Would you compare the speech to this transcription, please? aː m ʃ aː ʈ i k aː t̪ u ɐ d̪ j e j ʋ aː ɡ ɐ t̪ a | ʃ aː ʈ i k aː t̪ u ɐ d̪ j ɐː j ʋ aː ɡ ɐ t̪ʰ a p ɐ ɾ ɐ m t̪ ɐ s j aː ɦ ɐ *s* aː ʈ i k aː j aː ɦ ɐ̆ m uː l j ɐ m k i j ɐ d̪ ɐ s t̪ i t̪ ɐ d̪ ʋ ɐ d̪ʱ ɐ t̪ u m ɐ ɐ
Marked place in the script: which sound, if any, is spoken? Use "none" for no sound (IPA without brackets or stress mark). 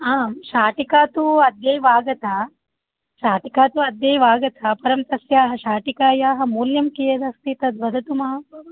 ʃ